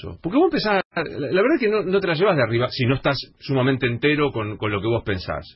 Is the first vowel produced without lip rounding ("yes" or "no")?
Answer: no